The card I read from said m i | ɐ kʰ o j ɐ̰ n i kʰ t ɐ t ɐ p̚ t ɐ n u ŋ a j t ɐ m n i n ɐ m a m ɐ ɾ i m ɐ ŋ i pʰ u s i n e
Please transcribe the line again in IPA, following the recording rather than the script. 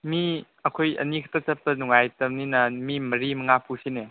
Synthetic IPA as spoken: m i | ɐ kʰ o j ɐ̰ n i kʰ t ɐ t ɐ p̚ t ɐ n u ŋ a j t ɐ m n i n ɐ m i m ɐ ɾ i m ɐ ŋ a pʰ u s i n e